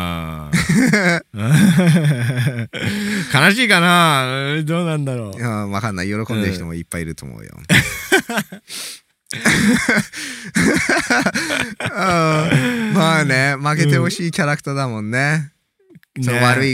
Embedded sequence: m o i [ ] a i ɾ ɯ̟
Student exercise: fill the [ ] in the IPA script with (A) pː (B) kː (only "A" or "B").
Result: A